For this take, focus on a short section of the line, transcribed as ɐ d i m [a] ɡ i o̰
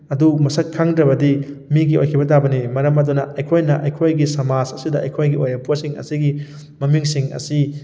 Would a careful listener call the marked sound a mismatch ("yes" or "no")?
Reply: yes